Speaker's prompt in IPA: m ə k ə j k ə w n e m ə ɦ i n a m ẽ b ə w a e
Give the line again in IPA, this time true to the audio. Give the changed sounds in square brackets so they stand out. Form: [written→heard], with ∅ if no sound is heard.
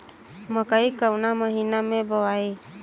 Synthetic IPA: m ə k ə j k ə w n [e→a] m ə ɦ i n a m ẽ b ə w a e